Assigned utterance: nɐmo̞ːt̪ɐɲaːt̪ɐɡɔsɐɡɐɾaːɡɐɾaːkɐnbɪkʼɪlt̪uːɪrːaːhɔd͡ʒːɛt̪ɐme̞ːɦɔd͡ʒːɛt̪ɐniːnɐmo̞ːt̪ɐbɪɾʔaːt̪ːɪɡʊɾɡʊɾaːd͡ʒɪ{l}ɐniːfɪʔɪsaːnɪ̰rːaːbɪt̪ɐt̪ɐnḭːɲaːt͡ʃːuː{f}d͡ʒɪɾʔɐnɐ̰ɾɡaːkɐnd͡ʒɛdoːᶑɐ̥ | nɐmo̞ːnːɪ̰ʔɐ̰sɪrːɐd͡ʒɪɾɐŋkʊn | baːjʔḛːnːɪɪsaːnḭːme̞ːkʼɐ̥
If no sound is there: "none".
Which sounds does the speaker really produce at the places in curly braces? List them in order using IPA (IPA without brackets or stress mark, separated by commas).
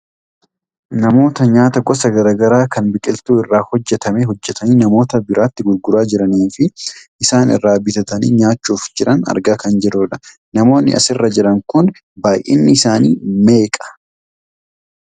ɾ, f